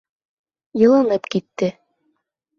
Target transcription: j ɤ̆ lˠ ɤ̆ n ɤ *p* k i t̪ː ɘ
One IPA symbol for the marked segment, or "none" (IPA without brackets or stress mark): p